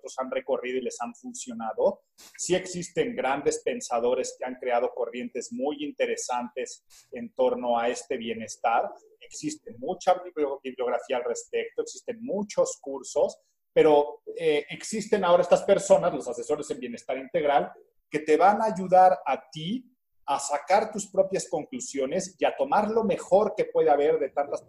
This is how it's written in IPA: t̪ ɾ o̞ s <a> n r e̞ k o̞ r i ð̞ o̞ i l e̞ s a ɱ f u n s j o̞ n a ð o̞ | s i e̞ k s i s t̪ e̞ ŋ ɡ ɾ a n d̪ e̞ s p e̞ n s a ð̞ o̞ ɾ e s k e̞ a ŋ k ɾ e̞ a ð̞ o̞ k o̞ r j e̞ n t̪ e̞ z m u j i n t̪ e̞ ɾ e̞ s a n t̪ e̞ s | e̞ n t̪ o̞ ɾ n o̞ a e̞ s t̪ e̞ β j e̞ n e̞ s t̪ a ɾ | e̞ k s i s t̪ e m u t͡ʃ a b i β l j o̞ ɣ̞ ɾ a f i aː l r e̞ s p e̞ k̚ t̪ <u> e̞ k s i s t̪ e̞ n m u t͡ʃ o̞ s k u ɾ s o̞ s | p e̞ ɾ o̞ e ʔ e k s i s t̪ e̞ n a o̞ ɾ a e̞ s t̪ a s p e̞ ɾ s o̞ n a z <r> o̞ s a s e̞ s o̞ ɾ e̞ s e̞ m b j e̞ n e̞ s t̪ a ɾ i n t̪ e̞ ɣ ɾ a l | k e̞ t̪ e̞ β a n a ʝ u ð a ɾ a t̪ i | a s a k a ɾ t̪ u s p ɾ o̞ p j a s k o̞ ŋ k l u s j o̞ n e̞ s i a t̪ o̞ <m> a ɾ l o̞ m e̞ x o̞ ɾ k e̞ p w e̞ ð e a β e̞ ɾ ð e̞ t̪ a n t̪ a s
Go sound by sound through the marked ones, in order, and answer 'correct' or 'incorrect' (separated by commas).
correct, incorrect, incorrect, correct